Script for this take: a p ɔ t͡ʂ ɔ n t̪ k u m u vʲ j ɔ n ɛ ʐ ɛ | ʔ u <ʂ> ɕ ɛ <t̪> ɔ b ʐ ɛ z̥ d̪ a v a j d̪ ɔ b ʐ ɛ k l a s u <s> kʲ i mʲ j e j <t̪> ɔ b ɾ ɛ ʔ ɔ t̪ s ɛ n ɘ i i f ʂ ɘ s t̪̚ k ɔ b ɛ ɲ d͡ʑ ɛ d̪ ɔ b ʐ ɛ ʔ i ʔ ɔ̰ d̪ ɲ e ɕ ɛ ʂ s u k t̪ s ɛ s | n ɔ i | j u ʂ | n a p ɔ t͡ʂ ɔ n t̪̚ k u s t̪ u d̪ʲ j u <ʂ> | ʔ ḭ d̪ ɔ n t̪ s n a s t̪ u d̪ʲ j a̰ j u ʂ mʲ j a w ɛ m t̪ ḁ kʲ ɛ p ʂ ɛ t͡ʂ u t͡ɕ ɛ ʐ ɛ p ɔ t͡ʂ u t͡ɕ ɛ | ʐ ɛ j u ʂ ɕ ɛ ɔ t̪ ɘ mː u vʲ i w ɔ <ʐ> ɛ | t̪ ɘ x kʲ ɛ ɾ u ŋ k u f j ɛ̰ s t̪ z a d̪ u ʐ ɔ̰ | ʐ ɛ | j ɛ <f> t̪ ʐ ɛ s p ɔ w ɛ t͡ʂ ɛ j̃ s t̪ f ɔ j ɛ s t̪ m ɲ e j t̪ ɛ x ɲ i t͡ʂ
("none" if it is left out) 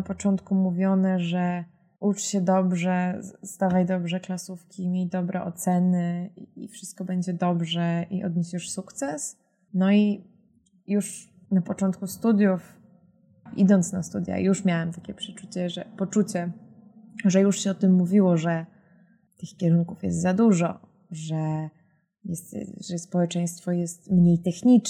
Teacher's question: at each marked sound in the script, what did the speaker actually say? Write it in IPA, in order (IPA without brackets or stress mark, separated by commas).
t͡ʂ, d̪, f, d̪, f, ʐ, s